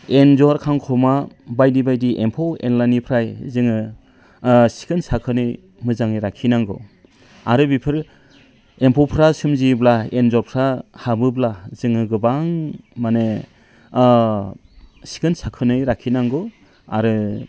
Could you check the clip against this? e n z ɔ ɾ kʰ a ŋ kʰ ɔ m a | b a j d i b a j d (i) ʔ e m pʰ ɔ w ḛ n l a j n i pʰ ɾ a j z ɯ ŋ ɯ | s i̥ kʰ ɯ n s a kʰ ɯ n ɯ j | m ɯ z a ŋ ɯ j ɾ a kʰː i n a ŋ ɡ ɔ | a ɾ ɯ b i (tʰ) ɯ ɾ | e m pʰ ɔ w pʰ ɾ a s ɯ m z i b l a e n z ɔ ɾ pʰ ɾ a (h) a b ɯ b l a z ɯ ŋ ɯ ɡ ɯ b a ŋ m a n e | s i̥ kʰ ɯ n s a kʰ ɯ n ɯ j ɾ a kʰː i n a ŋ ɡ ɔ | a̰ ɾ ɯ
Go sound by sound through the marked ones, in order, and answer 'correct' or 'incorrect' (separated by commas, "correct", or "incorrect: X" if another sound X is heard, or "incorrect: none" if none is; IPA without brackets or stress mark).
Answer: correct, incorrect: pʰ, correct